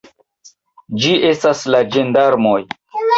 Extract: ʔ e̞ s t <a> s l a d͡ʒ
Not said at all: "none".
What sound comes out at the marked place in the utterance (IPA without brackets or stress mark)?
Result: a